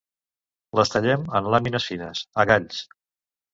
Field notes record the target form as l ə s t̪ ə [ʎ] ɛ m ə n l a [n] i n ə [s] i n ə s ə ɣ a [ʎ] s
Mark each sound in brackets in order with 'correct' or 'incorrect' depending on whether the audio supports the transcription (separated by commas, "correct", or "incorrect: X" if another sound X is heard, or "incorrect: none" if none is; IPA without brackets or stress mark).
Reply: correct, incorrect: m, correct, correct